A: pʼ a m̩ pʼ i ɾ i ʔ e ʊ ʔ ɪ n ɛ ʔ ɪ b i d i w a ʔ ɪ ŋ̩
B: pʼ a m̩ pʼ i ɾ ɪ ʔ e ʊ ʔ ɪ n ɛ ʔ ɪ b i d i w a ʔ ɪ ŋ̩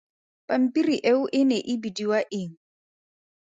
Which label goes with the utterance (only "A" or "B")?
A